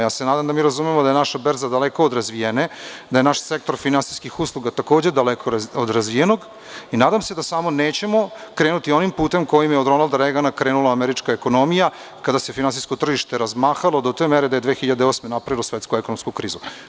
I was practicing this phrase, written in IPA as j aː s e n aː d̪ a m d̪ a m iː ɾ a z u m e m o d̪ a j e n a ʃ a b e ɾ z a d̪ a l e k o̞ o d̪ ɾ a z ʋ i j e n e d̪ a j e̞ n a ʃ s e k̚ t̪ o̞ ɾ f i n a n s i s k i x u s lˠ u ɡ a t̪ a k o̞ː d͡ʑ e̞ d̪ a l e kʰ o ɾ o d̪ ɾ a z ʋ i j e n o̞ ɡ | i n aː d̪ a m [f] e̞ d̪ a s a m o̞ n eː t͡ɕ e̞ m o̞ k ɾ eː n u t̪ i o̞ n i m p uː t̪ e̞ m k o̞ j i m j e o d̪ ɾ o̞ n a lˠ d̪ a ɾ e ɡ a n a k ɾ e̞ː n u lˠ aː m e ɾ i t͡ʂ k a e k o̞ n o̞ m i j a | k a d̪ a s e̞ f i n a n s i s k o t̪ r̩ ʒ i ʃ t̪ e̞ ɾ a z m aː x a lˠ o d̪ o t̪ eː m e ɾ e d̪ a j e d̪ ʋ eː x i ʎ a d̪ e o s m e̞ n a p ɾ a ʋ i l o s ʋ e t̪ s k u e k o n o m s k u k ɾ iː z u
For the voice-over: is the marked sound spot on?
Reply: no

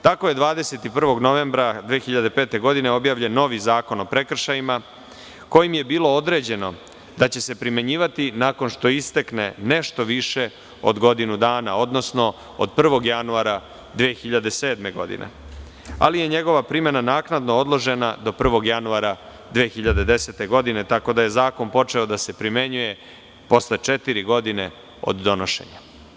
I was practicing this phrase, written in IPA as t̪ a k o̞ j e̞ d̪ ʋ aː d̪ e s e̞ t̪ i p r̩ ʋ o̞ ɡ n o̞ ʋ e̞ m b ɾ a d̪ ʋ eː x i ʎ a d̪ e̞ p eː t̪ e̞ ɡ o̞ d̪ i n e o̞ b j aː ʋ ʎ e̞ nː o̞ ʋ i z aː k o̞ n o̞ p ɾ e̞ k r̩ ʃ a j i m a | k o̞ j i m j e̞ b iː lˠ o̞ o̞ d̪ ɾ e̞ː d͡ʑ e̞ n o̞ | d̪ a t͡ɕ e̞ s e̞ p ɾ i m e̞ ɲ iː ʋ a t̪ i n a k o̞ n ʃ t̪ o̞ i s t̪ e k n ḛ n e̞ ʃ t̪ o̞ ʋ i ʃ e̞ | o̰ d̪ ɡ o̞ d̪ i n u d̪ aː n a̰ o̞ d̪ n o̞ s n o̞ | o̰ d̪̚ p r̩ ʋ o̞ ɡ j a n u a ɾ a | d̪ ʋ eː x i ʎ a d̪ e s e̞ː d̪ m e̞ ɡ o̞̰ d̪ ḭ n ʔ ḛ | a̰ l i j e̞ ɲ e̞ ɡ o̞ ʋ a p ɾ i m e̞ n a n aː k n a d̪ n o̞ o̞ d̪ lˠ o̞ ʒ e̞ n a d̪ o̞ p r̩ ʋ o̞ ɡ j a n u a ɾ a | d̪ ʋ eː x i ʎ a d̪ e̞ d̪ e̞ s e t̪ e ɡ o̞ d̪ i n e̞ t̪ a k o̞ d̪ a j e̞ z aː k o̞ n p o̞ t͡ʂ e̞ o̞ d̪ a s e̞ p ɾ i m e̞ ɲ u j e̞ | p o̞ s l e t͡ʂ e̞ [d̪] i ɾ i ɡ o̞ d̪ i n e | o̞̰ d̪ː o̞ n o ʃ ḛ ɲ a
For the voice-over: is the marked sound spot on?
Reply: no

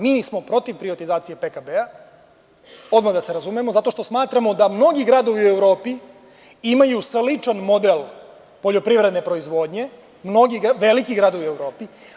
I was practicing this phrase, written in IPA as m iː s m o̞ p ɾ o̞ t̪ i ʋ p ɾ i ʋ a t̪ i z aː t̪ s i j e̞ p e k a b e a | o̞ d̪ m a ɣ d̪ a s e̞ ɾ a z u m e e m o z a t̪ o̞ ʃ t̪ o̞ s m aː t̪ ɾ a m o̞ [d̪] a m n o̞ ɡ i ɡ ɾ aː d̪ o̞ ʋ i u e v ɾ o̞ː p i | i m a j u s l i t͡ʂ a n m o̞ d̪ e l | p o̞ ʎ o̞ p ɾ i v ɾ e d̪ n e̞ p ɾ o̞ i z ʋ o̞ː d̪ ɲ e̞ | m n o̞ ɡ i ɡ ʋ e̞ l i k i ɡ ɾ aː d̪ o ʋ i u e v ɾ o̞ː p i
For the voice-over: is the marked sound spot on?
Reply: yes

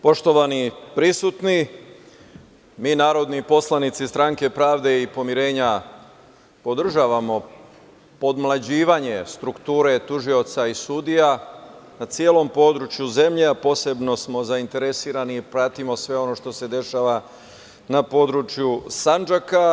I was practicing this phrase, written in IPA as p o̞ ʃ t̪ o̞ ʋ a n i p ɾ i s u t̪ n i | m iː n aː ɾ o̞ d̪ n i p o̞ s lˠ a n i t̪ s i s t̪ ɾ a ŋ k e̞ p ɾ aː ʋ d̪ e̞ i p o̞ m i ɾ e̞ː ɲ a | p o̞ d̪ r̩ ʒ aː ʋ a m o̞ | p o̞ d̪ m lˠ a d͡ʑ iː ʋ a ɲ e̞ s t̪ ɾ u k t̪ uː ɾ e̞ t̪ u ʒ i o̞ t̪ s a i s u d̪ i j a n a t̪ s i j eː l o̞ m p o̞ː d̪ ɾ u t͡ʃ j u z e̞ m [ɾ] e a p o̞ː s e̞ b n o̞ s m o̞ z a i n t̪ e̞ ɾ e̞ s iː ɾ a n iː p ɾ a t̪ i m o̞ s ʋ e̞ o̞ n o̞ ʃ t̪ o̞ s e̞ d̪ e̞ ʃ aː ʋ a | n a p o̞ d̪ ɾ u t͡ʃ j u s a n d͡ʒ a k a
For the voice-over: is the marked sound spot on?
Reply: no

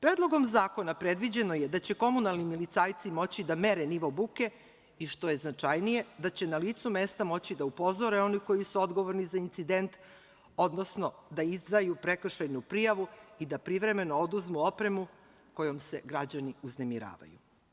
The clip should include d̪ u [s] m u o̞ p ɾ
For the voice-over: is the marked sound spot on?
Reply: no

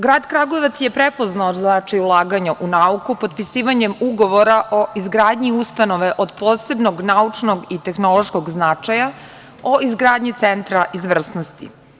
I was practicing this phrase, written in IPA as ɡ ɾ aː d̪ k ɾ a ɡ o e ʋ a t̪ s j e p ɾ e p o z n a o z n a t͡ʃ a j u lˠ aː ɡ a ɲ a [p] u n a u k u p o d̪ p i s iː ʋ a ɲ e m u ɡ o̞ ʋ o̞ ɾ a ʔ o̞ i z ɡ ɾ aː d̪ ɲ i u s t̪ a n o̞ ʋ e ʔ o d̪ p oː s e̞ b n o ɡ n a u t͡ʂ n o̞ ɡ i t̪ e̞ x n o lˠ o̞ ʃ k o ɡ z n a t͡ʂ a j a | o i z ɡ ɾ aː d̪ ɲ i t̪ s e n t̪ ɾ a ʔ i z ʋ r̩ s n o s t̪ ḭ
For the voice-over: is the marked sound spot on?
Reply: no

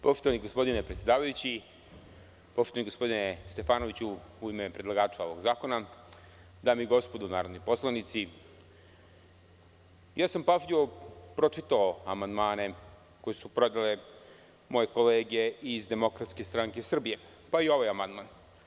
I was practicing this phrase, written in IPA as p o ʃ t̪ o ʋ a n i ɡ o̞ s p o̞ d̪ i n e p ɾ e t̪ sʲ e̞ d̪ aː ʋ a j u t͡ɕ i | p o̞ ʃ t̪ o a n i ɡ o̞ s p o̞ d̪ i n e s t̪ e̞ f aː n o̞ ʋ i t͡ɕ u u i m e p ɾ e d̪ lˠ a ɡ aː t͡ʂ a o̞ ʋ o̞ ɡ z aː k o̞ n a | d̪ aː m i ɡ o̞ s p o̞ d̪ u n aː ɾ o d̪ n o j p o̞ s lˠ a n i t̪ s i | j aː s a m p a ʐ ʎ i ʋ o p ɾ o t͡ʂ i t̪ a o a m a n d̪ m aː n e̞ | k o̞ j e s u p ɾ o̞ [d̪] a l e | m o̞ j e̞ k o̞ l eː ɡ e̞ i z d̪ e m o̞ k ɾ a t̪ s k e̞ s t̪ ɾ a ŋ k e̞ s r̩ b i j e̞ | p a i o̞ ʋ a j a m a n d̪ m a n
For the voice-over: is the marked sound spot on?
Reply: yes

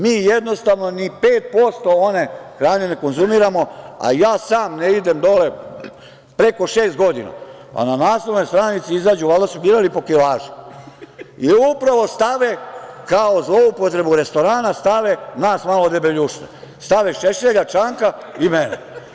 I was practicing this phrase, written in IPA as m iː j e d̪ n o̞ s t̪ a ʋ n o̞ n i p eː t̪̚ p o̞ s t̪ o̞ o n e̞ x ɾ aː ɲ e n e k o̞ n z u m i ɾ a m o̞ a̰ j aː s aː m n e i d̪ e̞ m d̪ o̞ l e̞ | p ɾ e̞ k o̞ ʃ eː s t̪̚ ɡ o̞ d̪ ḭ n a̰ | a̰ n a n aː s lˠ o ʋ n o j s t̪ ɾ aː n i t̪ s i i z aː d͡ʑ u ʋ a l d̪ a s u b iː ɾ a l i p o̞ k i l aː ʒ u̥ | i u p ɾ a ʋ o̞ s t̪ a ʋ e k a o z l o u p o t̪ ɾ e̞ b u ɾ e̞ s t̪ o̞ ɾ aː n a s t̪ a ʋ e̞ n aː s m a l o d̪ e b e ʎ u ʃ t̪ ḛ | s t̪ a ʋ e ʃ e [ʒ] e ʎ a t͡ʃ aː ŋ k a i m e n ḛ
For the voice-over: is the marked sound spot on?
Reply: no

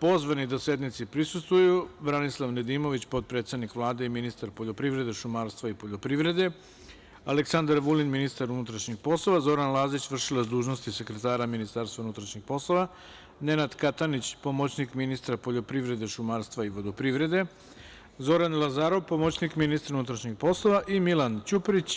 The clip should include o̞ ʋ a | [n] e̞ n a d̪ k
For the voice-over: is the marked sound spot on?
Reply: yes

